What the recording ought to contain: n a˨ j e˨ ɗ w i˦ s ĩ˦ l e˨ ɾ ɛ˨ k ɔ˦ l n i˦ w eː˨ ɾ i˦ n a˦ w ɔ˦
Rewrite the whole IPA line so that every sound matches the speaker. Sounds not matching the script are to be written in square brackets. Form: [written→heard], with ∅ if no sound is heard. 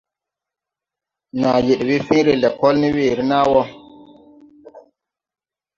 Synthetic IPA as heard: n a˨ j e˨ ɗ w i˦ [s→f] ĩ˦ [l→ɾ] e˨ [ɾ→l] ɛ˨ k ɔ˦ l n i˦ w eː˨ ɾ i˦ n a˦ w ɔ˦